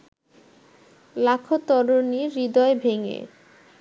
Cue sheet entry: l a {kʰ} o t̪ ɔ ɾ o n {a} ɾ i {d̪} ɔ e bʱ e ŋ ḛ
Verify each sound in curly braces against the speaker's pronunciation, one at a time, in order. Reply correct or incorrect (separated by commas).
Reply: correct, incorrect, correct